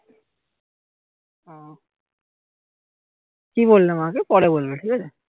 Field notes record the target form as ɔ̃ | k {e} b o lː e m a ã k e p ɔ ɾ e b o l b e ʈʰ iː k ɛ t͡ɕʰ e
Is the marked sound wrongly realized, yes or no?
yes